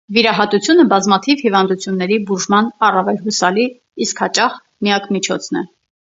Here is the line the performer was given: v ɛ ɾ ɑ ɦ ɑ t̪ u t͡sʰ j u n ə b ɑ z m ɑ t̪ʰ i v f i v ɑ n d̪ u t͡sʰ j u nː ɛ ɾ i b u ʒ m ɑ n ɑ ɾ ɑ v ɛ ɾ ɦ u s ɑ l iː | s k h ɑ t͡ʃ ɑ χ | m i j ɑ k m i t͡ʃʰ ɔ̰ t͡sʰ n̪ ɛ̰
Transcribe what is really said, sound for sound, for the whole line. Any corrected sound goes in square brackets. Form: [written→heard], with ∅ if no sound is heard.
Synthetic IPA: v [ɛ→i] ɾ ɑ ɦ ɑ t̪ u t͡sʰ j u n ə b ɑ z m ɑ t̪ʰ i v [f→h] i v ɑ n d̪ u t͡sʰ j u nː ɛ ɾ i b u ʒ m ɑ n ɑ [ɾ→r] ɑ v ɛ [ɾ→l] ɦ u s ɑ l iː | s k h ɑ t͡ʃ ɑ χ | m i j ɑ k m i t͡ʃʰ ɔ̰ t͡sʰ n̪ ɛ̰

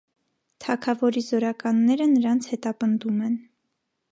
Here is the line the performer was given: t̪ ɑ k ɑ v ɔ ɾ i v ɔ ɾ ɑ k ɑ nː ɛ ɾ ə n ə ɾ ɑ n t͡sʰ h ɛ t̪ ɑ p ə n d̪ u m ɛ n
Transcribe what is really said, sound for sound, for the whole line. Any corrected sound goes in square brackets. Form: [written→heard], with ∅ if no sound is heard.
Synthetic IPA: [t̪→t̪ʰ] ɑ [k→kʰ] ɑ v ɔ ɾ i [v→z] ɔ ɾ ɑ k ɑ nː ɛ ɾ ə n ə ɾ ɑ n t͡sʰ h ɛ t̪ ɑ p ə n d̪ u m ɛ n

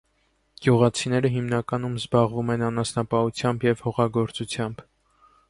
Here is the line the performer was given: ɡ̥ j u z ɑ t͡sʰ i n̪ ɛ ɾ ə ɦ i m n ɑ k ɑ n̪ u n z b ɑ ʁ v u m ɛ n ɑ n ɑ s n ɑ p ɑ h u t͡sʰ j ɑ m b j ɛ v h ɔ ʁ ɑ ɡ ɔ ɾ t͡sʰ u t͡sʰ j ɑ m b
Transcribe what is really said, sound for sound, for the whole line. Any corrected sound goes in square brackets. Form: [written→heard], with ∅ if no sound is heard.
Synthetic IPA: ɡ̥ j u [z→ʁ] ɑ t͡sʰ i n̪ ɛ ɾ ə ɦ i m n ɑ k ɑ n̪ u [n→m] z b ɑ ʁ v u m ɛ n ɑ n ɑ s n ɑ p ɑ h u t͡sʰ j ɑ m b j ɛ v h ɔ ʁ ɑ ɡ ɔ ɾ [t͡sʰ→t͡s] u t͡sʰ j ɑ m b

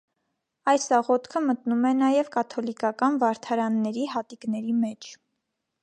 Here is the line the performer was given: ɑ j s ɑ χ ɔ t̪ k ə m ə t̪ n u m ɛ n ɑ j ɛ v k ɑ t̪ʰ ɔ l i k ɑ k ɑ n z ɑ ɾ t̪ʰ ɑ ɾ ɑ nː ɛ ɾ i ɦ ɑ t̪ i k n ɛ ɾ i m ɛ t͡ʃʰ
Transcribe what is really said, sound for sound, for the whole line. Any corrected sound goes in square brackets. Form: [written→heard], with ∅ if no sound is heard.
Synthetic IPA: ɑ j s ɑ [χ→ʁ] ɔ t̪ [k→kʰ] ə m ə t̪ n u m ɛ n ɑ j ɛ v k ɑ t̪ʰ ɔ l i k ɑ k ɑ n [z→v] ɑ ɾ t̪ʰ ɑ ɾ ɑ nː ɛ ɾ i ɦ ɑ t̪ i k n ɛ ɾ i m ɛ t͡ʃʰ

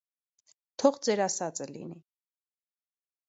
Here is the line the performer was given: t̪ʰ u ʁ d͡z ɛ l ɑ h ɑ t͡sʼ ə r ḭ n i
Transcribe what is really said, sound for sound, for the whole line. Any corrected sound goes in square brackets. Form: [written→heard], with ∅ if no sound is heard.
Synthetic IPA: t̪ʰ [u→ɔ] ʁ d͡z ɛ [l→ɾ] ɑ [h→s] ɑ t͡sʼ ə [r→l] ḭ n i

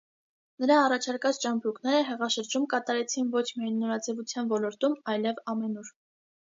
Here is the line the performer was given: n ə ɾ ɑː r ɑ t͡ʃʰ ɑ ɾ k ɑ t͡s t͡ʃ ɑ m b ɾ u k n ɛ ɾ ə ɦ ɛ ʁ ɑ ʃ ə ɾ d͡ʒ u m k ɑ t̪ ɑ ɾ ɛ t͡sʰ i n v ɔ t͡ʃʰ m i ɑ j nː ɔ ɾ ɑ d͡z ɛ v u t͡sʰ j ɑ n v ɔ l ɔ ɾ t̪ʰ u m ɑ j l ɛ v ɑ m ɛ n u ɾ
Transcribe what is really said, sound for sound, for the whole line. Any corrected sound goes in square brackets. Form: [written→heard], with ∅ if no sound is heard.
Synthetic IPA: n ə ɾ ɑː r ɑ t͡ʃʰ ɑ ɾ k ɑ t͡s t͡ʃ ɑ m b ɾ u k n ɛ ɾ ə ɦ ɛ ʁ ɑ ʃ ə ɾ d͡ʒ u m k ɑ t̪ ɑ ɾ ɛ t͡sʰ i n v ɔ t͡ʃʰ m i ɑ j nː ɔ ɾ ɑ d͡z ɛ v u t͡sʰ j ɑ n v ɔ l ɔ ɾ [t̪ʰ→t̪] u m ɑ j l ɛ v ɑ m ɛ n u ɾ

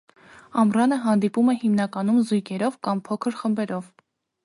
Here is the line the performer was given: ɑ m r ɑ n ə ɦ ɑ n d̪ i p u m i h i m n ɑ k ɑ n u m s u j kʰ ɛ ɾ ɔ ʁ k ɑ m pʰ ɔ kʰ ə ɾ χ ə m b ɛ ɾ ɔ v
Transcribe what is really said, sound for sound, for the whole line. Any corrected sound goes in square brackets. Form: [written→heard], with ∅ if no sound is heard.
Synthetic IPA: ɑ m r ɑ n ə ɦ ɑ n d̪ i p u m [i→ɛ] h i m n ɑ k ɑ n u m [s→z] u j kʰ ɛ ɾ ɔ [ʁ→v] k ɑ m pʰ ɔ kʰ ə ɾ χ ə m b ɛ ɾ ɔ v

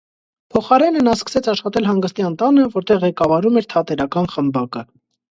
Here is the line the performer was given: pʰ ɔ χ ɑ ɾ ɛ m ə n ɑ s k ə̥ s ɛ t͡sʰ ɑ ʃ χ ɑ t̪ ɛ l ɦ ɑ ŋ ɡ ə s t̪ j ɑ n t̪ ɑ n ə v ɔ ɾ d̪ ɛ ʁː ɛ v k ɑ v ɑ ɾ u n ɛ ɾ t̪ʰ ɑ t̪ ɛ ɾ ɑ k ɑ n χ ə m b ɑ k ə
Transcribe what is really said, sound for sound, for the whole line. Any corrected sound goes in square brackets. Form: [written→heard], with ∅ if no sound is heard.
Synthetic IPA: pʰ ɔ χ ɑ ɾ ɛ [m→n] ə n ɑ s k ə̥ s ɛ t͡sʰ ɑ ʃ χ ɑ t̪ ɛ l ɦ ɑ ŋ ɡ ə s t̪ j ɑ n t̪ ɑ n ə v ɔ ɾ [d̪→t̪] ɛ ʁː ɛ [v→∅] k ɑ v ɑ ɾ u [n→m] ɛ ɾ t̪ʰ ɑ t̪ ɛ ɾ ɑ k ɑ n χ ə m b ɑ k ə

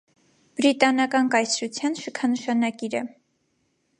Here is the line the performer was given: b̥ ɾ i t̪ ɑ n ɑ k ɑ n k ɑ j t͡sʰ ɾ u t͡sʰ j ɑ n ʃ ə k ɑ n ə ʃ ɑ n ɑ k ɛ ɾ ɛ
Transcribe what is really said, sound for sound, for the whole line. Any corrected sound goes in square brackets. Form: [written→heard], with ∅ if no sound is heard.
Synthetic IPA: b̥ ɾ i t̪ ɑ n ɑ k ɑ n k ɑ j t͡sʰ ɾ u t͡sʰ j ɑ n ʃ ə [k→kʰ] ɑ n ə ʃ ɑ n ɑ k [ɛ→i] ɾ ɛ

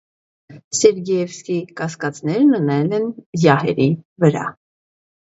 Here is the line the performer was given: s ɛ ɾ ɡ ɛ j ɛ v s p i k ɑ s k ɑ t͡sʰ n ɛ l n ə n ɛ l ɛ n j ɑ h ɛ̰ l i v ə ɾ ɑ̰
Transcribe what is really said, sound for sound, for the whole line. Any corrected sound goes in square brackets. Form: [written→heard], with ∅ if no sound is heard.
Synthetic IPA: s ɛ ɾ ɡ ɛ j ɛ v s [p→k] i k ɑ s k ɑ [t͡sʰ→t͡s] n ɛ [l→ɾ] n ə n ɛ l ɛ n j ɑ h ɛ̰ [l→ɾ] i v ə ɾ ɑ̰

